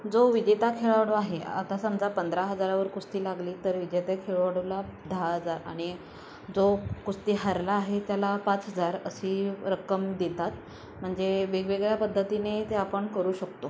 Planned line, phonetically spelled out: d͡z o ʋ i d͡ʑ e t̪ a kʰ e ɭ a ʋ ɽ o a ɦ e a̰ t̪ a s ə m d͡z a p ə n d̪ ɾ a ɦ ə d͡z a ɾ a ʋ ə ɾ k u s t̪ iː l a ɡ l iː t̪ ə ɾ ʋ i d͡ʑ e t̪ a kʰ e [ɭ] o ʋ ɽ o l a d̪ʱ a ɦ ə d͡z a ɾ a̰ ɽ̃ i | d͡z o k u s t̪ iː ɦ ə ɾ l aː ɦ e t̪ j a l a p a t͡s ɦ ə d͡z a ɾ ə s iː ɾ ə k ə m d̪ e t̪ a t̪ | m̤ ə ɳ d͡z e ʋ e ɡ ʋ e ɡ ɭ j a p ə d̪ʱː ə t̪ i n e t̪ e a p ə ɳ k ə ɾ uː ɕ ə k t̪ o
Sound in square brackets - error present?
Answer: no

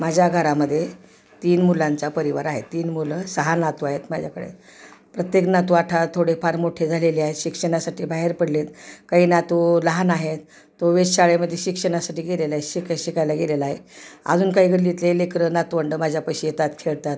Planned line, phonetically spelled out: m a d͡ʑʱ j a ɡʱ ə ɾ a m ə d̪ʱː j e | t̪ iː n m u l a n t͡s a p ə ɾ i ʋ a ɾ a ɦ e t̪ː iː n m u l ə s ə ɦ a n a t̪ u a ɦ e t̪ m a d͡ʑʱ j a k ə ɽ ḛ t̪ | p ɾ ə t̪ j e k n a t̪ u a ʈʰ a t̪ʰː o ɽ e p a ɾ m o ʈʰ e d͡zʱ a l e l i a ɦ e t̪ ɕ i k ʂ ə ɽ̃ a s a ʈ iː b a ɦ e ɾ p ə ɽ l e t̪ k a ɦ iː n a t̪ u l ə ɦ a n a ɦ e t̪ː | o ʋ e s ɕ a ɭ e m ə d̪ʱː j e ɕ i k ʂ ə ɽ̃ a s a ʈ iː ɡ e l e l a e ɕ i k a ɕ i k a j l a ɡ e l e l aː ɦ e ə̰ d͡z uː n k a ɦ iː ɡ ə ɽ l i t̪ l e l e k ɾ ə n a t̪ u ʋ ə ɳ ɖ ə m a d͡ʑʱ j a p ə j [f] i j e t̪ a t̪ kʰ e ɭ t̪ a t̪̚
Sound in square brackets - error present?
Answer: yes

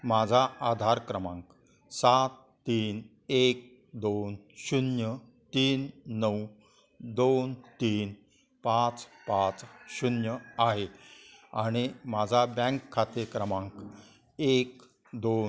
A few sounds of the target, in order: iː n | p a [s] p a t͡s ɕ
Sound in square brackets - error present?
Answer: yes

